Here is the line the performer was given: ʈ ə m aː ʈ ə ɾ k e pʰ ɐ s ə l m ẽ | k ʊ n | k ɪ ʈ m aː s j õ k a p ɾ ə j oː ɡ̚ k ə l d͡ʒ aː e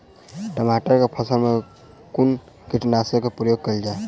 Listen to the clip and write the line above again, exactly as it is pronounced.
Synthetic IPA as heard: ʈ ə m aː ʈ ə ɾ k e pʰ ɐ s ə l m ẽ | k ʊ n | k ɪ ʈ n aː s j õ k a p ɾ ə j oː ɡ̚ k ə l d͡ʒ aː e